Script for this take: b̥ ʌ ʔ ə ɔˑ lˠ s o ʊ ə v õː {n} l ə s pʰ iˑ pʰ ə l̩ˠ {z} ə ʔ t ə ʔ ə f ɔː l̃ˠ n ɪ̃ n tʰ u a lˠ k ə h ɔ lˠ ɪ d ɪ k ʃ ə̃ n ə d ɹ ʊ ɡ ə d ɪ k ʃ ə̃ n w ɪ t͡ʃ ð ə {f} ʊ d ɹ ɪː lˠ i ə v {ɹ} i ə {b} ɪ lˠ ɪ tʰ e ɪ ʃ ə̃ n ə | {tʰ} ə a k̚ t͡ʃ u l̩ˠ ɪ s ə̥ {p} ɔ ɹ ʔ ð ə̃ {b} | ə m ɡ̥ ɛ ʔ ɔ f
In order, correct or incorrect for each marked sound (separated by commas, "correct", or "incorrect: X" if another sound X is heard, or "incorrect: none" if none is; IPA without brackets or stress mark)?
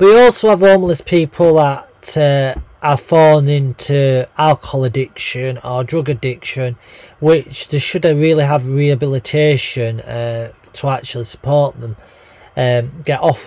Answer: incorrect: m, incorrect: ð, incorrect: ʃ, correct, correct, correct, incorrect: pʰ, incorrect: m